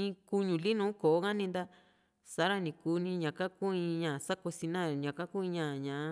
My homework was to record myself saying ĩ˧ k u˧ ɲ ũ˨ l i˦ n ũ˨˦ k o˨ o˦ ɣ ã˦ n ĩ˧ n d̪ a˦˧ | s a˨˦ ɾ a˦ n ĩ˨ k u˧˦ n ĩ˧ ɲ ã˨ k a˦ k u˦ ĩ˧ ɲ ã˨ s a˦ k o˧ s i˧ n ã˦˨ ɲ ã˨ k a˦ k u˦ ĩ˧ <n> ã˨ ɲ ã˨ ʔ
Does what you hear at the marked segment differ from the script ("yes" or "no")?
yes